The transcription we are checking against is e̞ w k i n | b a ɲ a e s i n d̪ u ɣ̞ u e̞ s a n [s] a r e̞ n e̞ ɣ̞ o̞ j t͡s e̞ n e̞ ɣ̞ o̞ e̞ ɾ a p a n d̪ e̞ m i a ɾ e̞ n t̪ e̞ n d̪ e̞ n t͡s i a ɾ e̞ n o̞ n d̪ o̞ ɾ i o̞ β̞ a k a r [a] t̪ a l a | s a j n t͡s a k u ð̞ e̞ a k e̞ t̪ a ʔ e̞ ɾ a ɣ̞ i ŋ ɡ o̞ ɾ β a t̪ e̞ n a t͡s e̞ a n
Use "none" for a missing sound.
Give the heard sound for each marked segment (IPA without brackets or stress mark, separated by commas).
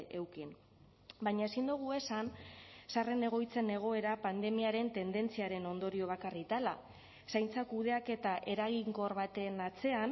s, i